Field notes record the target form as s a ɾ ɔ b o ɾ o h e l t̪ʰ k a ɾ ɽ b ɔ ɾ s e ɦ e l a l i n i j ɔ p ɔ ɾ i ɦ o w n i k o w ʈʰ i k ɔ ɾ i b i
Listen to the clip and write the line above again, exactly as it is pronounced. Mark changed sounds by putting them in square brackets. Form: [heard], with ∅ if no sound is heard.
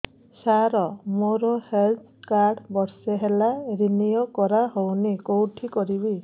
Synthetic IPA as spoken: s a ɾ ɔ [m] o ɾ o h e l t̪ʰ k a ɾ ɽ b ɔ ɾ s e ɦ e l a [ɾ] i n i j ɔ [k] ɔ ɾ [a] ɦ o w n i k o w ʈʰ i k ɔ ɾ i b i